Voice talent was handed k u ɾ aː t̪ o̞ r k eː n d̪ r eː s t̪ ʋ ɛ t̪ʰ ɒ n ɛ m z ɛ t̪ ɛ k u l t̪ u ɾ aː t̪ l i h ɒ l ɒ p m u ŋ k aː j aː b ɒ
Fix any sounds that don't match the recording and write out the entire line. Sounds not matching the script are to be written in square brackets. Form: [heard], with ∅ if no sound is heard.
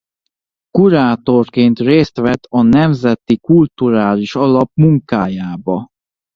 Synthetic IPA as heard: k u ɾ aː t̪ o̞ r k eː n [t̪] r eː s t̪ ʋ ɛ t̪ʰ ɒ n ɛ m z ɛ t̪ [i] k u l t̪ u ɾ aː [∅] l i [ʃ] ɒ l ɒ p m u ŋ k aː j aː b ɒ